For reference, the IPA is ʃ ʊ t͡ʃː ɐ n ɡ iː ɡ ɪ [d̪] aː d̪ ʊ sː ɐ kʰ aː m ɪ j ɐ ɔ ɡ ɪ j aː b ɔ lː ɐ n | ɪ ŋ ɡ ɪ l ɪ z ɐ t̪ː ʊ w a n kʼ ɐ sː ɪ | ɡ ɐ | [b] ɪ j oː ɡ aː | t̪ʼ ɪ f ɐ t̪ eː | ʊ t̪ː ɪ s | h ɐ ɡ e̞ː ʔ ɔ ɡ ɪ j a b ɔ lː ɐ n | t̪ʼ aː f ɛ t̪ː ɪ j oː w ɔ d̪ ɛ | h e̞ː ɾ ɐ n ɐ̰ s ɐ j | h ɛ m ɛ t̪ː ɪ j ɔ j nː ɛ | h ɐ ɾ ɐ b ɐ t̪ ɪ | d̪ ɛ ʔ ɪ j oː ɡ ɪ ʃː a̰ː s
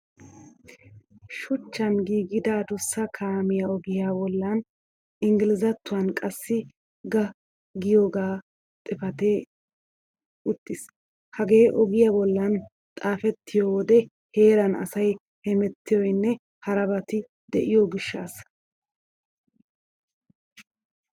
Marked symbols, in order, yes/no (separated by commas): yes, no